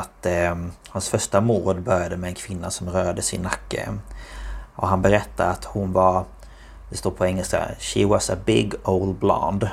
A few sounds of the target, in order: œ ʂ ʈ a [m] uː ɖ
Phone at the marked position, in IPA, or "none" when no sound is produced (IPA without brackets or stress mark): m